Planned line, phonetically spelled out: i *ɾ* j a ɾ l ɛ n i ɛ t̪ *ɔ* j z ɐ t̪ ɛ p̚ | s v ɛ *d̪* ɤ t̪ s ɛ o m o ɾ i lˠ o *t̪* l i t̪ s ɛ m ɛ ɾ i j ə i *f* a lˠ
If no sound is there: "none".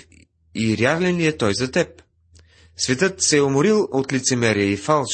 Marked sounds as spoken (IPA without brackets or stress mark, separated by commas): ɾ, ɔ, t̪, t̪, f